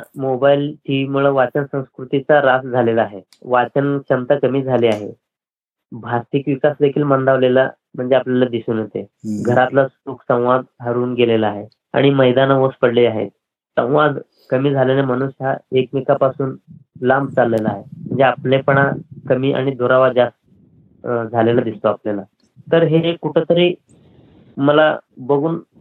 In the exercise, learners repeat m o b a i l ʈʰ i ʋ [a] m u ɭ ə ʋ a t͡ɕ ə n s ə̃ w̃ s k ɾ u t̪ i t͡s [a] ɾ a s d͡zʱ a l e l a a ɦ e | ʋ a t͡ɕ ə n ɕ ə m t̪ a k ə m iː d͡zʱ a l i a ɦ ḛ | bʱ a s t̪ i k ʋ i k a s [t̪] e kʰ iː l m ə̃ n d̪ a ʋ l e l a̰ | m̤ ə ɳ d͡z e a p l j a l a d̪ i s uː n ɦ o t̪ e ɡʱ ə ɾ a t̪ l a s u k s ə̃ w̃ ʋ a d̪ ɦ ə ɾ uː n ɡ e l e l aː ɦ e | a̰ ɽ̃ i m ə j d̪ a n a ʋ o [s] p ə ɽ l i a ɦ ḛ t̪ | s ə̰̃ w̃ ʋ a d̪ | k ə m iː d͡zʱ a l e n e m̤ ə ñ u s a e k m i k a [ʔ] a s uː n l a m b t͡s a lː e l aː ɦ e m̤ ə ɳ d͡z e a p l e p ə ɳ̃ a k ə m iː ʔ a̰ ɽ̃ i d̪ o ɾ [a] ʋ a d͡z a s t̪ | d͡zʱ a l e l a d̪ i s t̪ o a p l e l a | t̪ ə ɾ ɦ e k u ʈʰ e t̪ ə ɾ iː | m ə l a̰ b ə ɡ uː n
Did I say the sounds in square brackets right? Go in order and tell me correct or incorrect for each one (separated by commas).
incorrect, correct, incorrect, correct, incorrect, correct